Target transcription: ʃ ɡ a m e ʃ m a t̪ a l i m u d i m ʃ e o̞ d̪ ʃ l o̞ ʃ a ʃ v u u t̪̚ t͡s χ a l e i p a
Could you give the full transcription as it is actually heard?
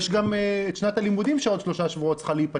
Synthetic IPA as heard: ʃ ɡ a m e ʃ n a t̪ a l i m u d i m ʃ e o̞ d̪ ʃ l o̞ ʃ a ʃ v u o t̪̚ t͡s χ a l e i p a